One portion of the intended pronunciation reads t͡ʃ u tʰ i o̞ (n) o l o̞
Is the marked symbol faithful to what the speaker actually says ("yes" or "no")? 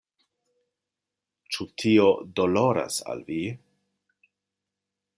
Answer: no